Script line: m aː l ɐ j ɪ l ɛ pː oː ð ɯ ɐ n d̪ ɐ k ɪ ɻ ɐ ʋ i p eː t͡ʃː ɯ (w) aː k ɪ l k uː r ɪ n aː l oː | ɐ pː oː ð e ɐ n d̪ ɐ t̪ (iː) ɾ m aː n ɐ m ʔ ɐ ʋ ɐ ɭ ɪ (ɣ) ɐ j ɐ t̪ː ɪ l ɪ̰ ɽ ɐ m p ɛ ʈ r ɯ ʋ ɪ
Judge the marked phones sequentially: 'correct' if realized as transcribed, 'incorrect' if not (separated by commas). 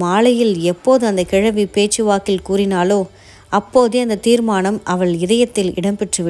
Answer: incorrect, correct, incorrect